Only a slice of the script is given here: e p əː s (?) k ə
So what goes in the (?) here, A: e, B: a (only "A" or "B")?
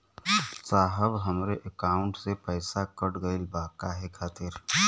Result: B